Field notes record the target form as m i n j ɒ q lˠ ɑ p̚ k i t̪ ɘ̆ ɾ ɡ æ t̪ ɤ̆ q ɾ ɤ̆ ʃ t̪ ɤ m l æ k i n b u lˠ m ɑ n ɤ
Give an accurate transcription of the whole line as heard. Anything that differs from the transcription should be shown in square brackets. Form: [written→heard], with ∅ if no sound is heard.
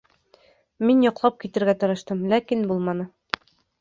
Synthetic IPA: m i n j ɒ q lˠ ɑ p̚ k i t̪ ɘ̆ ɾ ɡ æ t̪ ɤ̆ [q→∅] ɾ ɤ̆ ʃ t̪ ɤ m l æ k i n b u lˠ m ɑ n ɤ